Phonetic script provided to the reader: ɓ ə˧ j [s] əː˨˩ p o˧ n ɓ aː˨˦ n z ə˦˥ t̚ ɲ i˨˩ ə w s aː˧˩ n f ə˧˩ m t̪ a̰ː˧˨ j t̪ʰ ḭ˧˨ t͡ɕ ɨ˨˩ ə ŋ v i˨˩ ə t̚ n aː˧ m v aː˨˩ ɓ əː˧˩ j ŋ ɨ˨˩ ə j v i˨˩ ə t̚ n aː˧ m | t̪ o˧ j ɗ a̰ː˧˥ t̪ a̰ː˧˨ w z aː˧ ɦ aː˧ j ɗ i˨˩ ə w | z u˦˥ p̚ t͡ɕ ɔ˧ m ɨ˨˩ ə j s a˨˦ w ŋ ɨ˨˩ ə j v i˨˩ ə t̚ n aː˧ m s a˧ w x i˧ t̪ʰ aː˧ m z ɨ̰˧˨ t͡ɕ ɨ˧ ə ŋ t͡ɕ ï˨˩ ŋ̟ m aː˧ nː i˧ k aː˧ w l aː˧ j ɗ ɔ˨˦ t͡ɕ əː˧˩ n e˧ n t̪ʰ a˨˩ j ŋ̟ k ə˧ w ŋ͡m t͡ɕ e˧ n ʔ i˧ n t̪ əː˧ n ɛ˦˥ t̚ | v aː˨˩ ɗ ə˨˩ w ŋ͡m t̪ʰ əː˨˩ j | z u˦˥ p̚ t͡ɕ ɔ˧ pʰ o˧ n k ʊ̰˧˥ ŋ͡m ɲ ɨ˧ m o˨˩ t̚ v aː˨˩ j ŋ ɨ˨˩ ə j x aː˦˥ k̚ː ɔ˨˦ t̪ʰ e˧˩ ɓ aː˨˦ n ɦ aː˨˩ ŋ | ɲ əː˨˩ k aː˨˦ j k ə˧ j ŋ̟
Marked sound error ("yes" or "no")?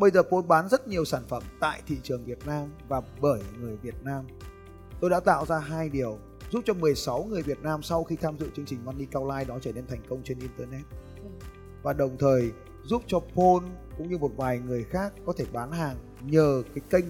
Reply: yes